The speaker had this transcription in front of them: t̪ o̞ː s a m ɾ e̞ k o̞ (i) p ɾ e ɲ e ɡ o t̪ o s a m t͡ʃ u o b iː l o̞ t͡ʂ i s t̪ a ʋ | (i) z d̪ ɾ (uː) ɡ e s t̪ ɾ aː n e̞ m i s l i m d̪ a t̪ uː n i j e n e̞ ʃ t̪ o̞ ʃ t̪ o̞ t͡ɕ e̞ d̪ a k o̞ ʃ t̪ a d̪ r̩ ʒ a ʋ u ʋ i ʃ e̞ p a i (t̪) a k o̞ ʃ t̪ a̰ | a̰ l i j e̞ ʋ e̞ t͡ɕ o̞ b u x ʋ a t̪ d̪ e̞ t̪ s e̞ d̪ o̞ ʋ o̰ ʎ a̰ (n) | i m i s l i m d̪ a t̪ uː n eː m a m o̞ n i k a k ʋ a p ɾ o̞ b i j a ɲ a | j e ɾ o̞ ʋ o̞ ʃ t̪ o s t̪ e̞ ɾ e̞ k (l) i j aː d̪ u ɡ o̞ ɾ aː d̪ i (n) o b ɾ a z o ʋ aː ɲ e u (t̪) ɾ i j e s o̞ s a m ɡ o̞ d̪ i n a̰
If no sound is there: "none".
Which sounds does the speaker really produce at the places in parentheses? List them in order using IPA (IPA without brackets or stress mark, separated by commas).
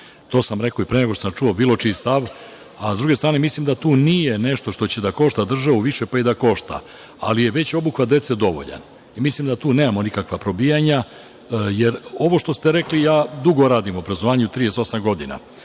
i, a, u, d̪, n, l, m, t̪